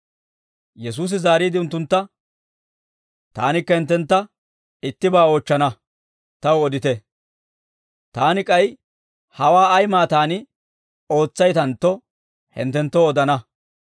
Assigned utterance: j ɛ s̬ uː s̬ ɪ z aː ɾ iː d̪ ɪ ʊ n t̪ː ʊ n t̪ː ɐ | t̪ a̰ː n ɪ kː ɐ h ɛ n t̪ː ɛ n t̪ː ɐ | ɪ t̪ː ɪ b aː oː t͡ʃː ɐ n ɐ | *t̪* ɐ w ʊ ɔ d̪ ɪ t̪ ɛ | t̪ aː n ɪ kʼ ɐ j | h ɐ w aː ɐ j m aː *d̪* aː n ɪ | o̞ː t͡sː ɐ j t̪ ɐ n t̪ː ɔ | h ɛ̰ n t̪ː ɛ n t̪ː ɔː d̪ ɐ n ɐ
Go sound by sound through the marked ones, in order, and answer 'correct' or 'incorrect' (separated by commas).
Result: correct, incorrect